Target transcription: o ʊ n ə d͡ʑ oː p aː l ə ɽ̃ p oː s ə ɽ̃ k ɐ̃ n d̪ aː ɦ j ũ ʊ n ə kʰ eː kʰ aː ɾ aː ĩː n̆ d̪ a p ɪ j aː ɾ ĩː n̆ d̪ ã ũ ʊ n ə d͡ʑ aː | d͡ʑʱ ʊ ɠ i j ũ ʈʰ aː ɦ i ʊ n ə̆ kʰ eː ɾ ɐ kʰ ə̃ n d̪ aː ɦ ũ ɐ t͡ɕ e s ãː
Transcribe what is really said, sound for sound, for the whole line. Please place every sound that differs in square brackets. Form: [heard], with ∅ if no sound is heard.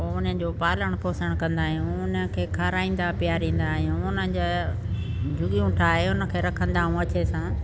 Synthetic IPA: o ʊ n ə d͡ʑ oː p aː l ə ɽ̃ p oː s ə ɽ̃ k ɐ̃ n d̪ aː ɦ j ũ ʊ n ə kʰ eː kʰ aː ɾ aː ĩː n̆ d̪ a p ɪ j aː ɾ ĩː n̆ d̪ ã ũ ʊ n ə d͡ʑ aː | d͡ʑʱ ʊ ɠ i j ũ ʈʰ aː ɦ [e] ʊ n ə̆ kʰ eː ɾ ɐ kʰ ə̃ n d̪ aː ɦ ũ ɐ t͡ɕ e s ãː